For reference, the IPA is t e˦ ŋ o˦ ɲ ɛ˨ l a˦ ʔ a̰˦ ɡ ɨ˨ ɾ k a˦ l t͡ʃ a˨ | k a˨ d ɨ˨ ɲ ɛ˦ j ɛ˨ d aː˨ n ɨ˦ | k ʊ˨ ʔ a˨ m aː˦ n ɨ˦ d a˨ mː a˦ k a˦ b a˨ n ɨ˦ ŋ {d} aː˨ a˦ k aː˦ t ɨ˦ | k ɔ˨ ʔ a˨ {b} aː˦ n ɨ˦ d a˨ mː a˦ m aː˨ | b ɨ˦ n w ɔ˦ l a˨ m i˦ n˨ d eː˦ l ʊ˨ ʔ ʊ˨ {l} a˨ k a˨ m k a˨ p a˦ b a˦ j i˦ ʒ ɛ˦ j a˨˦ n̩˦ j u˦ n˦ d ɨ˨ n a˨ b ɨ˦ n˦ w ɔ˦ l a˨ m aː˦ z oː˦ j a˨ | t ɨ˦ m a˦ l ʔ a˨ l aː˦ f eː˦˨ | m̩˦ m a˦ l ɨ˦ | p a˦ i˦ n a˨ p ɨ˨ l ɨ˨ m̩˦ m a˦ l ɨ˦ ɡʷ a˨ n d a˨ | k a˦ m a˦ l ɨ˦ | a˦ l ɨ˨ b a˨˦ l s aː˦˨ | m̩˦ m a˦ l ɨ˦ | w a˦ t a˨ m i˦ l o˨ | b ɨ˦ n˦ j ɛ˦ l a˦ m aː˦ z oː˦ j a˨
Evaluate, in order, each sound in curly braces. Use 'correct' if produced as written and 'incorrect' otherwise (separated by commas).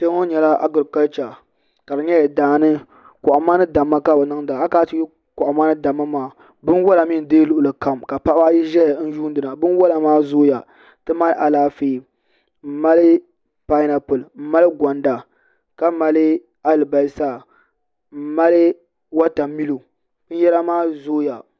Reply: correct, incorrect, correct